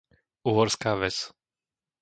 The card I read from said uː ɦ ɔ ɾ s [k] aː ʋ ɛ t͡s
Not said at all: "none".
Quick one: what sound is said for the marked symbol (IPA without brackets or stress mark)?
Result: k